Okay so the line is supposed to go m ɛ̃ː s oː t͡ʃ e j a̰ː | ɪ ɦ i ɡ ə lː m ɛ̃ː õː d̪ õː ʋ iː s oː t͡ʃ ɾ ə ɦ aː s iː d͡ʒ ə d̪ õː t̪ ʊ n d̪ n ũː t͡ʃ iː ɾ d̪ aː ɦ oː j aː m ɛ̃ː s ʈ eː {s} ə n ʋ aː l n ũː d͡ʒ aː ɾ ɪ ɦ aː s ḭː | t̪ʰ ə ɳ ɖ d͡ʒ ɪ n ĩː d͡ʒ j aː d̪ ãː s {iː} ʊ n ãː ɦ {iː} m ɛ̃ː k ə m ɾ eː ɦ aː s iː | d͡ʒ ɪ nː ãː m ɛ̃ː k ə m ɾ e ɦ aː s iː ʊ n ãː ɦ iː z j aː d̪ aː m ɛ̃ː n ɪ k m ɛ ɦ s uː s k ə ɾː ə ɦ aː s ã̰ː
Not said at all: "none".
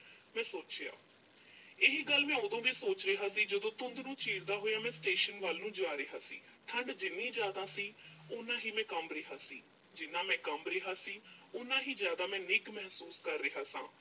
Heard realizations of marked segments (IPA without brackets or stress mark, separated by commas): ʃ, iː, iː